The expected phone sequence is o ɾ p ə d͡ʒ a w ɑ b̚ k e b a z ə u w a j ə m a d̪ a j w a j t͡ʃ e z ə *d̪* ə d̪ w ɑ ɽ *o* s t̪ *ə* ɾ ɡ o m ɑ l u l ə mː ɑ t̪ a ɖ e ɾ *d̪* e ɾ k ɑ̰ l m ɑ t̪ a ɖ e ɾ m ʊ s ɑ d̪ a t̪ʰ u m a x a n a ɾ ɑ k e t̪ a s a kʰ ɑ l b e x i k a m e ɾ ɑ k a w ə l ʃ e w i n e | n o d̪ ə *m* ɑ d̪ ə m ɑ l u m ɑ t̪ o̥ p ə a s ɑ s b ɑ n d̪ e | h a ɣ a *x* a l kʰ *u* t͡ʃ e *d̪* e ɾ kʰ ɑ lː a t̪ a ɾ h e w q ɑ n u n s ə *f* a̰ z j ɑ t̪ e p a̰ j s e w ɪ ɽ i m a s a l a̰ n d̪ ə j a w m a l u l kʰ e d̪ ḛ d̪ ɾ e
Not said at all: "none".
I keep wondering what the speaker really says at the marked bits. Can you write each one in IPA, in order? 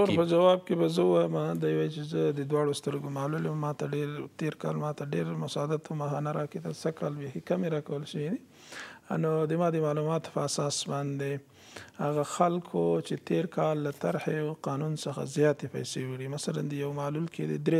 d̪, o, ə, t̪, m, x, o, t̪, x

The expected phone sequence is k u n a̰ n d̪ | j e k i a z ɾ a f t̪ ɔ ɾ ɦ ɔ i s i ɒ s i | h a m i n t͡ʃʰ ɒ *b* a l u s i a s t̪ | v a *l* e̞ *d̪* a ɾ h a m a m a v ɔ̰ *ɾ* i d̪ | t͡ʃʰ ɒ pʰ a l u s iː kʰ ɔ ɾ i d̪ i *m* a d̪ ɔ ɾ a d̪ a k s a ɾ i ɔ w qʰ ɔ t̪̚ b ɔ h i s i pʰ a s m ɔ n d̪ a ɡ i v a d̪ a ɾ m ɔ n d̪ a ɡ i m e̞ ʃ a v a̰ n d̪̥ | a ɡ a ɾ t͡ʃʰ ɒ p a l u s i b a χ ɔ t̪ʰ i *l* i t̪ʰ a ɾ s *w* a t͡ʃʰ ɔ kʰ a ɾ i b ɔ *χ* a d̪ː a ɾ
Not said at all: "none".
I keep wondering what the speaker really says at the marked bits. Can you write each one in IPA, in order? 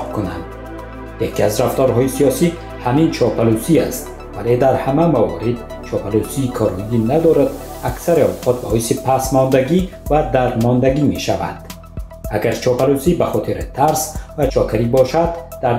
p, l, d̪, ɾ, n, ɾ, v, ʃ

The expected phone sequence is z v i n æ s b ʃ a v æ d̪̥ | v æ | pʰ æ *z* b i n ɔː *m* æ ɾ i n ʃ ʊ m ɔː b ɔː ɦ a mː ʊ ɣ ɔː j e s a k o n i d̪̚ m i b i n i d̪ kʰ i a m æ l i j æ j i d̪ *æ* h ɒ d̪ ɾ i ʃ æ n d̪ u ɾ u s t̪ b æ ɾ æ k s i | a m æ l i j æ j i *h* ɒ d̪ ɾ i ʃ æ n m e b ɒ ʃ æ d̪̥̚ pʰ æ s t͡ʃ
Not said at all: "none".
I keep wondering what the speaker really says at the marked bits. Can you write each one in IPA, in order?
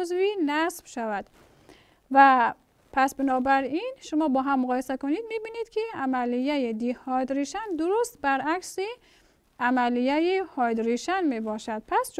s, b, i, h

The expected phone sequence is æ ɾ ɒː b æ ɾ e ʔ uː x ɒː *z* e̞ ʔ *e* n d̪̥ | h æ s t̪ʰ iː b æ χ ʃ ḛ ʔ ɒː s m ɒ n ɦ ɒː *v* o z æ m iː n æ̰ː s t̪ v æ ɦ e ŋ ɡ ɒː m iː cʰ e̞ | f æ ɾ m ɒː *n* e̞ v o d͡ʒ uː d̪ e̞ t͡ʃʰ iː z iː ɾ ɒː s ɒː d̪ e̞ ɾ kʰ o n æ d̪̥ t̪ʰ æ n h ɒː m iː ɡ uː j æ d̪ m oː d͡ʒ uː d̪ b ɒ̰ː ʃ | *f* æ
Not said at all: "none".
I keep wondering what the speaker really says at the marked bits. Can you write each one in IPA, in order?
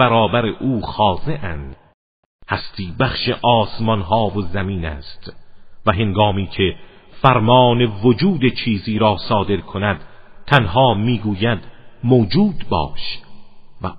z, æ, v, n, v

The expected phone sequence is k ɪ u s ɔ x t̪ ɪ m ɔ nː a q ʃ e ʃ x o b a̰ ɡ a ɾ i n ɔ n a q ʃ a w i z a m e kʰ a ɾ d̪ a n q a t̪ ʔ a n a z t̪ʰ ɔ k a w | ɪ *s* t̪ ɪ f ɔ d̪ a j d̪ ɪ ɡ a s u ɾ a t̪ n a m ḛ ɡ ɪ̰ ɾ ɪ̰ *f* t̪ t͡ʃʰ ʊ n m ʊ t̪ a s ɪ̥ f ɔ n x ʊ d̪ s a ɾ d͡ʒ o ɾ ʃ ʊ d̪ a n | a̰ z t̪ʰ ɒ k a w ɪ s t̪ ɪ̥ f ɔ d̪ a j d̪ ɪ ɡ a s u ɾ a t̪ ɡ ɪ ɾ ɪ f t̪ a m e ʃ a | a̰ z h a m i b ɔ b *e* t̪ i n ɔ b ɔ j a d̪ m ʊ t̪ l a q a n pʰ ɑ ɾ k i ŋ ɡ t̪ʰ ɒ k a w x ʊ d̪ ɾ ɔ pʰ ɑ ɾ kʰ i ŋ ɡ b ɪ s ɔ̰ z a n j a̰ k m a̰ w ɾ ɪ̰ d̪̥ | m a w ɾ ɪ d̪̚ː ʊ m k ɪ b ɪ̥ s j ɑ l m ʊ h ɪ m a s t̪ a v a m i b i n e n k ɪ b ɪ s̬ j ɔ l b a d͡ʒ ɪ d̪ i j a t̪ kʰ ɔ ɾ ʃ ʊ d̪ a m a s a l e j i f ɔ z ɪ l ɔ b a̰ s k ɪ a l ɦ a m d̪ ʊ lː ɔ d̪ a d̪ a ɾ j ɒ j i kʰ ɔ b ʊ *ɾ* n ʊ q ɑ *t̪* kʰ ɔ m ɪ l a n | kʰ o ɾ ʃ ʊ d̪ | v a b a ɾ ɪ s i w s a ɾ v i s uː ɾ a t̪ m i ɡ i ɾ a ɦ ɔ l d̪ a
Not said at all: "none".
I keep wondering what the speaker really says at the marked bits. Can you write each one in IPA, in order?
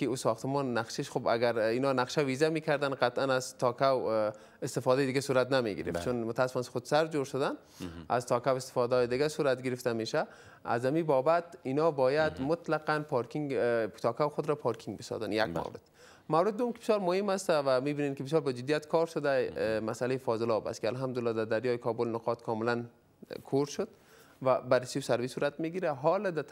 s, f, a, l, t̪

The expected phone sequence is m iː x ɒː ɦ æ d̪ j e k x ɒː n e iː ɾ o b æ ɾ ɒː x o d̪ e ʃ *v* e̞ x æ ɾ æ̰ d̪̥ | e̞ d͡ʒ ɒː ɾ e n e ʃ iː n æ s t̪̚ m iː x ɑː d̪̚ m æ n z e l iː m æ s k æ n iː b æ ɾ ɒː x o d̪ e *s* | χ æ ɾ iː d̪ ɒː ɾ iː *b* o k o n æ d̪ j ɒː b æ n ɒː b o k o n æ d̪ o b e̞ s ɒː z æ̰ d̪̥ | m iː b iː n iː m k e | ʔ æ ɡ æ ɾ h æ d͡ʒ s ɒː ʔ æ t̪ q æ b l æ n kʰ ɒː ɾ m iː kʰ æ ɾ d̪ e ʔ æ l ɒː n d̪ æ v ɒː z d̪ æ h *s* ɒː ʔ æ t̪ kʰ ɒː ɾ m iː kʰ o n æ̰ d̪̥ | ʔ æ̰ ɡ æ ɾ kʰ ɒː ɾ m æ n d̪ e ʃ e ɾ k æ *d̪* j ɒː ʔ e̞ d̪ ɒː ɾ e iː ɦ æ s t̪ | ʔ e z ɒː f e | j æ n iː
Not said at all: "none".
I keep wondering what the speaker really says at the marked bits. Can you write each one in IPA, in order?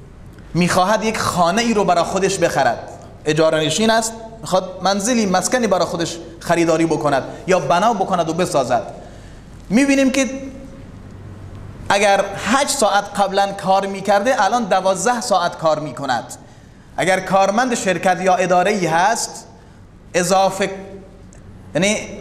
b, ʃ, b, s, t̪

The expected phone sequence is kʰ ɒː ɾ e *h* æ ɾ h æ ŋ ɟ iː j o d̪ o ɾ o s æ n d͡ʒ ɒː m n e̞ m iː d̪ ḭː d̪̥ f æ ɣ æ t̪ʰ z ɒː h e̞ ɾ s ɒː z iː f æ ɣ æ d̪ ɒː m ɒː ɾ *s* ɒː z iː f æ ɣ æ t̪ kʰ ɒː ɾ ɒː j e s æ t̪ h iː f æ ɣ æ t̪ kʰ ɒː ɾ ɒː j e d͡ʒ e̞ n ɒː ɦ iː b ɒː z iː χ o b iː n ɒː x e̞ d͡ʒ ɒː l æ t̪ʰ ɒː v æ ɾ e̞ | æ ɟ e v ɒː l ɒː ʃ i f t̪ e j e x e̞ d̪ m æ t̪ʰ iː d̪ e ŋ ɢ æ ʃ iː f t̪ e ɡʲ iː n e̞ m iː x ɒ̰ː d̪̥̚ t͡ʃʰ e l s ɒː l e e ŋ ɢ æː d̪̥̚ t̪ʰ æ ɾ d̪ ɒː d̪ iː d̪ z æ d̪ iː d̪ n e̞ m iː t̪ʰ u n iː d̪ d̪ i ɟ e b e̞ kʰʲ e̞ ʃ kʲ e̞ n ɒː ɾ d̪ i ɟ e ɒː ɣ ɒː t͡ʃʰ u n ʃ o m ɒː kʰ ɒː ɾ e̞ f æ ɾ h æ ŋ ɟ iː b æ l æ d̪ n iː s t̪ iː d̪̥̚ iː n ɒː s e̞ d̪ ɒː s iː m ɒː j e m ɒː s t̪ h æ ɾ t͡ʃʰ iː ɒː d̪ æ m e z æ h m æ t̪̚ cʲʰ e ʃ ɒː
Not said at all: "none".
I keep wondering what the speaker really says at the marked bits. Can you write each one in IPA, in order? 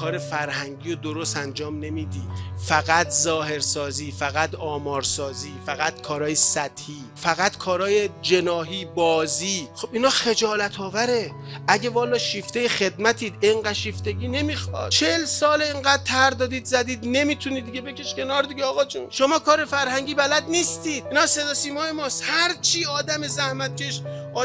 f, s

